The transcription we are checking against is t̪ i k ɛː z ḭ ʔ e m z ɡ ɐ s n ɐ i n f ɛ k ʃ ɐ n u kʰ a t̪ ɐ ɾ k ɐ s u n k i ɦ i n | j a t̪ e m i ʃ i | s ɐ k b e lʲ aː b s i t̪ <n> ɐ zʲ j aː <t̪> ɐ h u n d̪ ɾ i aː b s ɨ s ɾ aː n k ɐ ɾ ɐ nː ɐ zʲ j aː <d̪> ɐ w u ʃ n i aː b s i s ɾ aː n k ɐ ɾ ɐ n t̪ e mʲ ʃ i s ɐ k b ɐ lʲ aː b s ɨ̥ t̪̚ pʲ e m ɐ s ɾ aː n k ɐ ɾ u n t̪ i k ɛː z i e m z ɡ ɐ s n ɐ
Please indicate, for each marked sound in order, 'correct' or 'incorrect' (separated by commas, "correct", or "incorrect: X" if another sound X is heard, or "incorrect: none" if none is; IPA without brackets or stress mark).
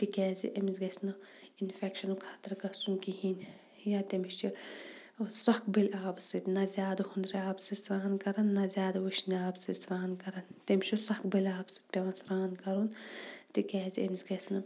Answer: correct, incorrect: d̪, correct